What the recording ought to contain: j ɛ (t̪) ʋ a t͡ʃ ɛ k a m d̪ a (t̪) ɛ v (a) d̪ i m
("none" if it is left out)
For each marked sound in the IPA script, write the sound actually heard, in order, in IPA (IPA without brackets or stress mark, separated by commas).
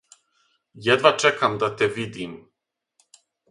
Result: d̪, t̪, i